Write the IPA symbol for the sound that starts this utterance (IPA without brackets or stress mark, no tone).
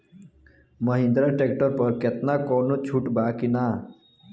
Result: m